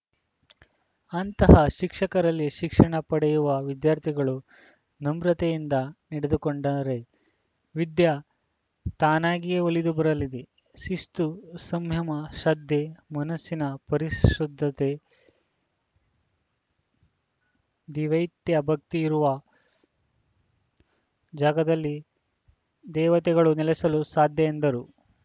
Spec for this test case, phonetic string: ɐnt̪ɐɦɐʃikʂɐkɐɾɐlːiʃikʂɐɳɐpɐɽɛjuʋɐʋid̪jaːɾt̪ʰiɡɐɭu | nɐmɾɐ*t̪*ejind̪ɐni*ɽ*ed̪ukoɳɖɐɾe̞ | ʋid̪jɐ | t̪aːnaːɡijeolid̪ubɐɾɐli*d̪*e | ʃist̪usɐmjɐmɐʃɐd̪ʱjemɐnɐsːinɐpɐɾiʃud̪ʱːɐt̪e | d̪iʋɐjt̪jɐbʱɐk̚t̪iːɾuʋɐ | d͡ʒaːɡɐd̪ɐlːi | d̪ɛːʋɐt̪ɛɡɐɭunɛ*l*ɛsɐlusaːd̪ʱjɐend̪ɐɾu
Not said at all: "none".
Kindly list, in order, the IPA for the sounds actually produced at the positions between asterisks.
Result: t̪, ɽ, d̪, l

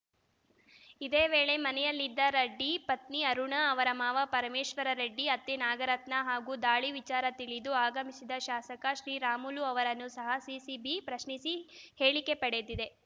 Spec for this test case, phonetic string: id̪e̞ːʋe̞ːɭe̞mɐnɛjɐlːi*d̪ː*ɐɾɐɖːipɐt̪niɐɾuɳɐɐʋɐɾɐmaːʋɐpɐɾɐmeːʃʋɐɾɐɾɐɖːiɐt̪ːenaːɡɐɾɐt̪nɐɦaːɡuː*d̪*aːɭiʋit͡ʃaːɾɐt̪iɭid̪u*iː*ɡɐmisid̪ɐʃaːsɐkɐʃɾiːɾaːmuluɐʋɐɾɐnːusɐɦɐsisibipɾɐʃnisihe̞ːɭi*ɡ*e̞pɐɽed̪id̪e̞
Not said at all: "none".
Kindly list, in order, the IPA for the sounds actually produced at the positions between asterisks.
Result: d̪ː, d̪, aː, k

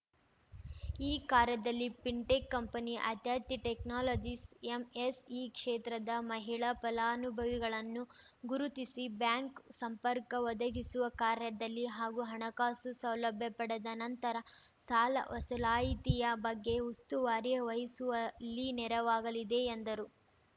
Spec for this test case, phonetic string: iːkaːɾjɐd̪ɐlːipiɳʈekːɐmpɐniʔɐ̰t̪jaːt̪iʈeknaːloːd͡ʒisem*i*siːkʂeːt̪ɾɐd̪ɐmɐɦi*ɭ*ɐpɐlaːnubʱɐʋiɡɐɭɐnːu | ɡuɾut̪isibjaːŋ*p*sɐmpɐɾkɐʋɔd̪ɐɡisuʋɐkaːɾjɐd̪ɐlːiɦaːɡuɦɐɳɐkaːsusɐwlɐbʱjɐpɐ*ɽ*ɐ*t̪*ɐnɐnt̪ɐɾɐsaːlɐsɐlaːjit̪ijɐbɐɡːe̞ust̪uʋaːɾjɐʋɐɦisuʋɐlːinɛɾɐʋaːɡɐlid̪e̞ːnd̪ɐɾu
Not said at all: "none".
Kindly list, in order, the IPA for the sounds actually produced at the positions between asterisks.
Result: e, ɭ, k, ɽ, d̪

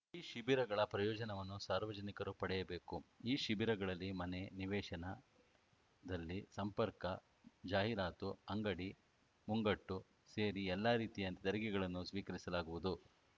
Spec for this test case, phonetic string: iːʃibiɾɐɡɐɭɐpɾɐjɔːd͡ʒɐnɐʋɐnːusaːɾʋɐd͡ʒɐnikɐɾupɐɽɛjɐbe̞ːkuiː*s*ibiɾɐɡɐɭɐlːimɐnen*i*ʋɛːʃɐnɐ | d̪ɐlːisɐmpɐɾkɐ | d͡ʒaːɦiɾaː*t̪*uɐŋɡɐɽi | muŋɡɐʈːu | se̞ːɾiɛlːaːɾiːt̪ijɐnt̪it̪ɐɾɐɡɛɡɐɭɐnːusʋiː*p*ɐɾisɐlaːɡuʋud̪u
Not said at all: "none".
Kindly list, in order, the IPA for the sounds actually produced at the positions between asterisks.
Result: ʃ, i, t̪, k

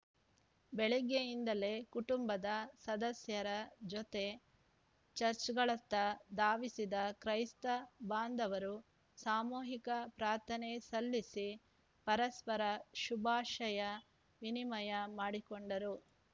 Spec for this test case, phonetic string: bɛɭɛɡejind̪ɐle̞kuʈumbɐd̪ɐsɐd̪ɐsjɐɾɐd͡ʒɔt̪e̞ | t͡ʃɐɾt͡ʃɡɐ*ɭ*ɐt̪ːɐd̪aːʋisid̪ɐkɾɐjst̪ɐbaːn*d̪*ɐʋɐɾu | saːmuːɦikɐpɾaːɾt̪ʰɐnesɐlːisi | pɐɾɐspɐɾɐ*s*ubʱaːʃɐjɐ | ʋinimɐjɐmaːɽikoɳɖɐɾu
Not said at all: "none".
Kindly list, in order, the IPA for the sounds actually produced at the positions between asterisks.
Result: ɭ, d̪, ʃ

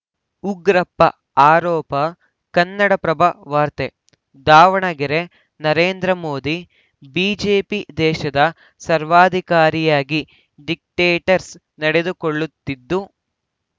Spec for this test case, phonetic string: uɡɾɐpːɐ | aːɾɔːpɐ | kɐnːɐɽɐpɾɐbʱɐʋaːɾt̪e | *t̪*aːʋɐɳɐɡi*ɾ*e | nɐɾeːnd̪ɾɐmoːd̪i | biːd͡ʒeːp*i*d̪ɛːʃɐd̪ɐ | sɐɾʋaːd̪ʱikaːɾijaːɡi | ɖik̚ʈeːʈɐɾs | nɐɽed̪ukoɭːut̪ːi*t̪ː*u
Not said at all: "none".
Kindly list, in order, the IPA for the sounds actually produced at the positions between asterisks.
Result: d̪, ɾ, i, d̪ː

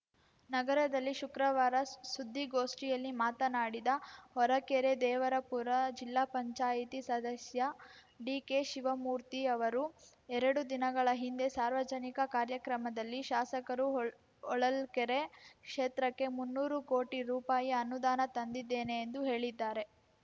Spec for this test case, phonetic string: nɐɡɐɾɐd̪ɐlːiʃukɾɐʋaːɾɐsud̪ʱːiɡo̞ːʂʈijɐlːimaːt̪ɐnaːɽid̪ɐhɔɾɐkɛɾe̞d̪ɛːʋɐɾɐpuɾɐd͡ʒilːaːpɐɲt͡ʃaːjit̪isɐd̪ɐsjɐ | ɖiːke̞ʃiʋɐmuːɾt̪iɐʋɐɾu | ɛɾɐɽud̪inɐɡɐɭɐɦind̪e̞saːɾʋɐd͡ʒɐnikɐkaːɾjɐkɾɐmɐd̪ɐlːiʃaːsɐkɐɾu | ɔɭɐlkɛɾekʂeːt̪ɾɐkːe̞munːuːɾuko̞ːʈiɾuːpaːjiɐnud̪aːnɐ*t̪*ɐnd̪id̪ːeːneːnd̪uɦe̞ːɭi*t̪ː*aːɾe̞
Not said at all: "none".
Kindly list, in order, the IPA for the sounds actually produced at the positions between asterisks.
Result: t̪, d̪ː

